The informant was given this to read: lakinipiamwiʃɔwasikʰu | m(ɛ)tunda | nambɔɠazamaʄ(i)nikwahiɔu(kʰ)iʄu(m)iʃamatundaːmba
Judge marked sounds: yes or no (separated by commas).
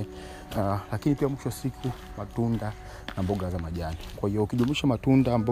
no, no, no, yes